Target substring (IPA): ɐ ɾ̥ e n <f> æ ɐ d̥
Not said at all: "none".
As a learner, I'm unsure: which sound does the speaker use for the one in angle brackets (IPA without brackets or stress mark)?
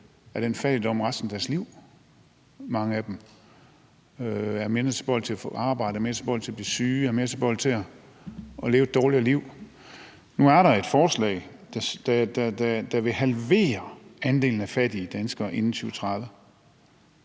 f